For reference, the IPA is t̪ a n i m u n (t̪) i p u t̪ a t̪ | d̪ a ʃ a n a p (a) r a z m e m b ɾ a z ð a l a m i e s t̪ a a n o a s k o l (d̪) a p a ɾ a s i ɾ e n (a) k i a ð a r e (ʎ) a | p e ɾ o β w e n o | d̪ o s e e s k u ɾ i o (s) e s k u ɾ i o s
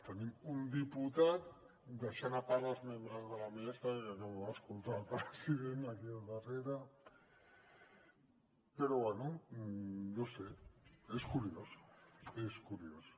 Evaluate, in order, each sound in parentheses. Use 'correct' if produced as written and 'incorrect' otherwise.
incorrect, correct, incorrect, correct, incorrect, correct

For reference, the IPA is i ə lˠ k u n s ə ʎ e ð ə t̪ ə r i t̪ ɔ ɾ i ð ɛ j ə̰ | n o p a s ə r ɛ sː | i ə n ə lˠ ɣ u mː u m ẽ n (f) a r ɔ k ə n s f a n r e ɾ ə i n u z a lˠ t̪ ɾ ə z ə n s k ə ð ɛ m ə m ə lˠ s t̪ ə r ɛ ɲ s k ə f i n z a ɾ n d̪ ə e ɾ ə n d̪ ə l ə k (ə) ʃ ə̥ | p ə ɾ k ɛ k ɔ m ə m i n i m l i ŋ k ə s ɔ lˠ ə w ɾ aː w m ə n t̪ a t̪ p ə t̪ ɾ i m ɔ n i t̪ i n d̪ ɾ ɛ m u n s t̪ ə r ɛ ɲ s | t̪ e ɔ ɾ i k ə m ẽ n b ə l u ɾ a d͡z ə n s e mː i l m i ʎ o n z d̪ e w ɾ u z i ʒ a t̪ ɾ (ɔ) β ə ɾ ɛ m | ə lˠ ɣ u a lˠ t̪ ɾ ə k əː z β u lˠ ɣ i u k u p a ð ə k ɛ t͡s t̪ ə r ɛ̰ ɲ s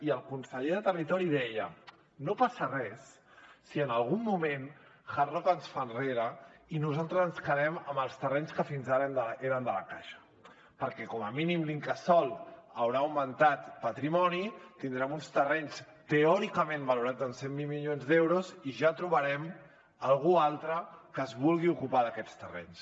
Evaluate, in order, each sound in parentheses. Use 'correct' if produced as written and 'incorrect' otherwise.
incorrect, incorrect, incorrect

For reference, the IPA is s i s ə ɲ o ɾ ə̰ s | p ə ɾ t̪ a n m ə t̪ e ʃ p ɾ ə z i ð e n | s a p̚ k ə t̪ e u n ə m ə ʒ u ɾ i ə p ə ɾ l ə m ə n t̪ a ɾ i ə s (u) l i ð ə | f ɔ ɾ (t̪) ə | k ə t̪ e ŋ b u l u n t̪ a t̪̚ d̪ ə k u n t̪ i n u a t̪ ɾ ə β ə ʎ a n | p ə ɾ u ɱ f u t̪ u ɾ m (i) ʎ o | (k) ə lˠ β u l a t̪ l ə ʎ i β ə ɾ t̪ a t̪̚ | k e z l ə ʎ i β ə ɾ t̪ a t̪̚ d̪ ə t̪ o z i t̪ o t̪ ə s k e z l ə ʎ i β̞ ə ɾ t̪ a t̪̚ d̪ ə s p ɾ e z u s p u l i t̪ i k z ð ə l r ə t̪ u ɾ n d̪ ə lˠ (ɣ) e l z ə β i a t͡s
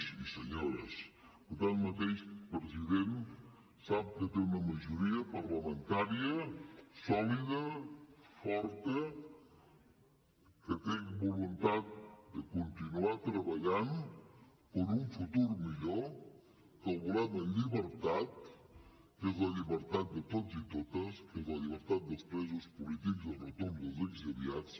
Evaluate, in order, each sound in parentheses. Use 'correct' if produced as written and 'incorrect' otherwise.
incorrect, correct, correct, correct, incorrect

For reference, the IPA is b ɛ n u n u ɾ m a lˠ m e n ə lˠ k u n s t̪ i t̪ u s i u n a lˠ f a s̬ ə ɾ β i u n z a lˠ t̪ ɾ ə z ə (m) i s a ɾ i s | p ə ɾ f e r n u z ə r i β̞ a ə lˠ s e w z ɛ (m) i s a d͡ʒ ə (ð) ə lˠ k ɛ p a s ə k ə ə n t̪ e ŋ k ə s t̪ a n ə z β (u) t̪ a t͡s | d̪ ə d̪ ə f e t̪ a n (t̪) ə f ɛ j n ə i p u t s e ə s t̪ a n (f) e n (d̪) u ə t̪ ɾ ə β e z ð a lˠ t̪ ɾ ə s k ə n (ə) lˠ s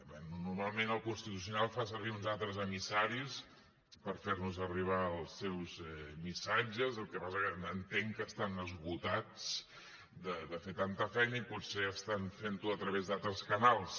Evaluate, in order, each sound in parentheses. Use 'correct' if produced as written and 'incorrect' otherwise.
correct, correct, incorrect, correct, correct, correct, incorrect, incorrect

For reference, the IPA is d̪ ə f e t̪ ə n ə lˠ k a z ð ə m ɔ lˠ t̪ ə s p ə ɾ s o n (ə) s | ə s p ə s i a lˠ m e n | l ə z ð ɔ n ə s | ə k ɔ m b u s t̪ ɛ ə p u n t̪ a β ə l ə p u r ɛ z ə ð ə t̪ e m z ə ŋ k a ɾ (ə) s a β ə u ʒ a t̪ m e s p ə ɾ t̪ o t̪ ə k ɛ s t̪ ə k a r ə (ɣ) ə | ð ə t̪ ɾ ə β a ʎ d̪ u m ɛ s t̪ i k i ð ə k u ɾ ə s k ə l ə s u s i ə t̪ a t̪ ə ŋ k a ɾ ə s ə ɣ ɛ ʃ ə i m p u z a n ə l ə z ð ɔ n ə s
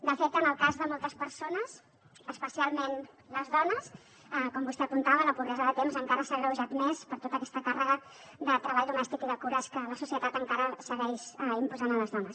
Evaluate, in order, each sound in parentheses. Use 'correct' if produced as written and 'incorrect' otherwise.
correct, correct, correct

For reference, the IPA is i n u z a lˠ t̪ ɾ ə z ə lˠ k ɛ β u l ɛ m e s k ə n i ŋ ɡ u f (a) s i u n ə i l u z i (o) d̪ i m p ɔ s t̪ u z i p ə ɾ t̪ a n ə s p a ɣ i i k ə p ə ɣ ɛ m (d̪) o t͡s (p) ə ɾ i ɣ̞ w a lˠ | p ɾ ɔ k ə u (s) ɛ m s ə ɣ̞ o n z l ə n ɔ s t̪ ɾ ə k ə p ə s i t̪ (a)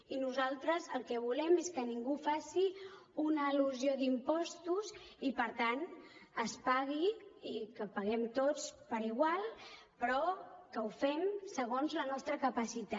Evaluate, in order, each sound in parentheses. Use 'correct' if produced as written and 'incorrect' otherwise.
correct, correct, incorrect, correct, incorrect, correct

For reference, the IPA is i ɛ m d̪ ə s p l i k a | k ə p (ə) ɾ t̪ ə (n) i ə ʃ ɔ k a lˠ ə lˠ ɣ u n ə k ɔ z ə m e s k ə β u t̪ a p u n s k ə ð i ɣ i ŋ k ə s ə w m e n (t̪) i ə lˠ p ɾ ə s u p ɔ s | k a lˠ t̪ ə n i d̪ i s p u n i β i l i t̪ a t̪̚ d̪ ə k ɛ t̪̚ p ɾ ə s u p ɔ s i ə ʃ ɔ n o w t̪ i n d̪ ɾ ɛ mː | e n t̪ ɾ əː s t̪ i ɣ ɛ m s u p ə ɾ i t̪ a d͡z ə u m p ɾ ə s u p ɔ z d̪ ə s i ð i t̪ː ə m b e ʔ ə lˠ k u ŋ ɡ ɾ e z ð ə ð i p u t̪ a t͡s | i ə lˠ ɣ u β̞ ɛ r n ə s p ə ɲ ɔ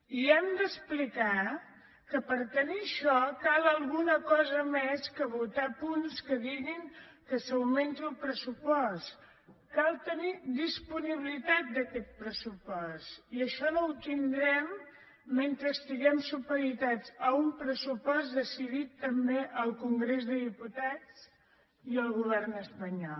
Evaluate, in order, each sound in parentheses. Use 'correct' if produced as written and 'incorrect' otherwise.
correct, correct, correct

